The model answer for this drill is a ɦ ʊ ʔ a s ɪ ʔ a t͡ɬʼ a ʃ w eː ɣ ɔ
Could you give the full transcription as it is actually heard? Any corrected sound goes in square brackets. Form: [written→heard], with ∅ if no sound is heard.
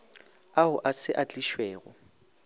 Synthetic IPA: a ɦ ʊ ʔ a s ɪ ʔ a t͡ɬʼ [a→i] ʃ w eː ɣ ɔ